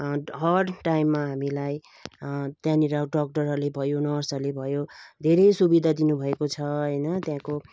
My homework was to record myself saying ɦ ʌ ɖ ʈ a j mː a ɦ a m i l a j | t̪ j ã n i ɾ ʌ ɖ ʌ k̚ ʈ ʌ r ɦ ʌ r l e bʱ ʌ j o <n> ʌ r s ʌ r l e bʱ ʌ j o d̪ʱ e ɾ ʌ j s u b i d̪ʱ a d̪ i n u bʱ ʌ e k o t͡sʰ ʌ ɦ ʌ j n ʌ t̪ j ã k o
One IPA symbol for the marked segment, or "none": n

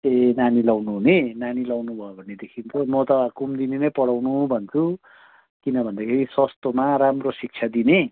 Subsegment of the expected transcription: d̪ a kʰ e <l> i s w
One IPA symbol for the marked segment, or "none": ɾ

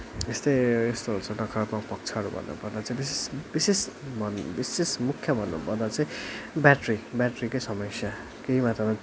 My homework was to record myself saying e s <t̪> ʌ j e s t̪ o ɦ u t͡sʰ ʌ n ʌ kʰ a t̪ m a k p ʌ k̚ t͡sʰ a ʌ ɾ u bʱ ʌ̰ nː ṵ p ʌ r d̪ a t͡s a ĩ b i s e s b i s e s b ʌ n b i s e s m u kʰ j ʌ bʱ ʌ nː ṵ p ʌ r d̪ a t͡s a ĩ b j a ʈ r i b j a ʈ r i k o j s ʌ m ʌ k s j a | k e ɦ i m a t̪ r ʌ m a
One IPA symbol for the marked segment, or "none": t̪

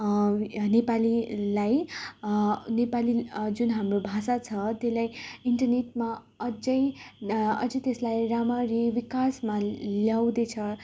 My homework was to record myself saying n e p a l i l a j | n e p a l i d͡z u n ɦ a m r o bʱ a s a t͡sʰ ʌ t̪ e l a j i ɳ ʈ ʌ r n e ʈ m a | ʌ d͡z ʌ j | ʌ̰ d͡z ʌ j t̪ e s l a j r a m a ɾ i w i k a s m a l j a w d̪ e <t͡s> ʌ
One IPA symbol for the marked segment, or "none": t͡sʰ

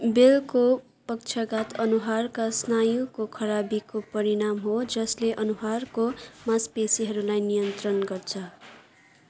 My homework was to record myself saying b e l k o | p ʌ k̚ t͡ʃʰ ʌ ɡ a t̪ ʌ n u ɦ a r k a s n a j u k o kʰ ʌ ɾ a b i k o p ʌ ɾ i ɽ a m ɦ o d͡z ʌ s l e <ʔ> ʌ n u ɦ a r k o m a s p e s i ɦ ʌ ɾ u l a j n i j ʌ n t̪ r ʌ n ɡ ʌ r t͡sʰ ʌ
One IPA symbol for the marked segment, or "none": ʔ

